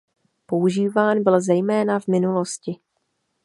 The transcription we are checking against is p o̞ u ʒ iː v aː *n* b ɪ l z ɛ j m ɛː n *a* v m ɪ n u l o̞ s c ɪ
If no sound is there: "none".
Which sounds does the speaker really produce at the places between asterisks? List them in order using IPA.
n, a

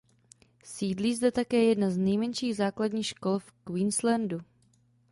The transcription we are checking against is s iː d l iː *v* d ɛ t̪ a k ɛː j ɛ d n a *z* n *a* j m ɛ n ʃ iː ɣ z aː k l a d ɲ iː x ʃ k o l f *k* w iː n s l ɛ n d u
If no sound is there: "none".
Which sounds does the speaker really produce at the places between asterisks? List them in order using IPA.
z, z, ɛ, k

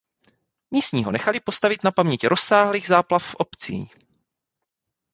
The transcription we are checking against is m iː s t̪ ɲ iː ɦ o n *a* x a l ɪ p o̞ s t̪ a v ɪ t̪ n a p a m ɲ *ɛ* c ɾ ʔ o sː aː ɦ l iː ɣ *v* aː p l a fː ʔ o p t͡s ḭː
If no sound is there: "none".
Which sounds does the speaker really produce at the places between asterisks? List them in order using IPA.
ɛ, ɛ, z

